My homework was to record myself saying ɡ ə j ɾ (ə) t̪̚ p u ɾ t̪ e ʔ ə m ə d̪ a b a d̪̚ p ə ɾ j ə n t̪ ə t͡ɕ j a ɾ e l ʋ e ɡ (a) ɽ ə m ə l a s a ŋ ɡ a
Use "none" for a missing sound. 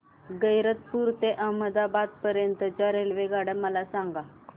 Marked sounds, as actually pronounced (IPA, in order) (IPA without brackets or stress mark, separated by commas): ə, a